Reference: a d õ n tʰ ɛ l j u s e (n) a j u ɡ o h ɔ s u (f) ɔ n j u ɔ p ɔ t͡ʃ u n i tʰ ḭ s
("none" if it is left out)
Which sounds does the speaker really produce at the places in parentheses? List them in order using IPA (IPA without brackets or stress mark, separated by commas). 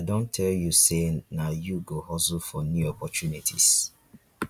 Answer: n, f